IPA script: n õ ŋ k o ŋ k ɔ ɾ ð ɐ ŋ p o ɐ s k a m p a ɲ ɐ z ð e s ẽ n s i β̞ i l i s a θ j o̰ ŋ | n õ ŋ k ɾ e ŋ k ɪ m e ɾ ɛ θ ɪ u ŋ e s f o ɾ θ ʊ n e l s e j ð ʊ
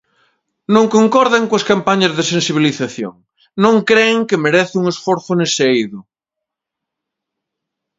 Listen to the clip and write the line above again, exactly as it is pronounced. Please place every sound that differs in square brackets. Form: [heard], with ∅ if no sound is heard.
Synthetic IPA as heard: n õ ŋ k o ŋ k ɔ ɾ ð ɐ ŋ [k] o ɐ s k a m p a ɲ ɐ z ð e s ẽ n s i β̞ i l i [θ] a θ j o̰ ŋ | n õ ŋ k ɾ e ŋ k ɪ m e ɾ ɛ θ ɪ u ŋ e s f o ɾ θ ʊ n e [∅] s e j ð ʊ